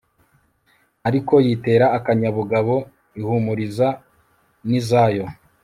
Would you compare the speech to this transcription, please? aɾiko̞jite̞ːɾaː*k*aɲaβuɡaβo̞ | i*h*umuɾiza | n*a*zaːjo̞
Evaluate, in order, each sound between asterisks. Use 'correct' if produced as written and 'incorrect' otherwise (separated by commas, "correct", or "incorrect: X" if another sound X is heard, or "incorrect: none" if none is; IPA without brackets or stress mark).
correct, correct, incorrect: i